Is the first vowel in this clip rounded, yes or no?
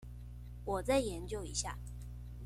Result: yes